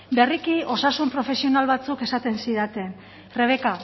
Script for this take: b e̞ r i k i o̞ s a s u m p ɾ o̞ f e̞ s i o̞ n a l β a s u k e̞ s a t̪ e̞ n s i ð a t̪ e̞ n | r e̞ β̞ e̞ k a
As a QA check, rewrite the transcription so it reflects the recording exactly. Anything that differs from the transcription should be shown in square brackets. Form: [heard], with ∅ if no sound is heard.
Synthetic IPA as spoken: b e̞ r i k i o̞ s a s u m p ɾ o̞ f e̞ s i o̞ n a l β a [t͡s] u k e̞ s a t̪ e̞ n s i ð a t̪ e̞ n | r e̞ β̞ e̞ k a